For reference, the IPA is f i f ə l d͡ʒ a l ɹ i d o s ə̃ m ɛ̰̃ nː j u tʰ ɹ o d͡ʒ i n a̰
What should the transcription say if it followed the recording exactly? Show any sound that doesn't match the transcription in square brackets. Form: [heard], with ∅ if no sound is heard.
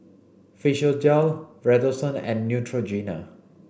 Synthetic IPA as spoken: f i [ʃ] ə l d͡ʒ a l ɹ [ɛ] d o s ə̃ [n] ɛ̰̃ nː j u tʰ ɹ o d͡ʒ i n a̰